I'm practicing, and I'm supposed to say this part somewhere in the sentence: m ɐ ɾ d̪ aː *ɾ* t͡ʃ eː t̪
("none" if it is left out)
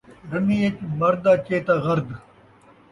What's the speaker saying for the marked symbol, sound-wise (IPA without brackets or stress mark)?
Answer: none